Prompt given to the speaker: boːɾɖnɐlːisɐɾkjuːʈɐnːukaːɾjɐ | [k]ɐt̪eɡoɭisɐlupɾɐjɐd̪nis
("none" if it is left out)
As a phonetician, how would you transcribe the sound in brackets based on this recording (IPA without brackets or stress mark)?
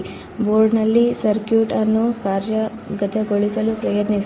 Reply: ɡ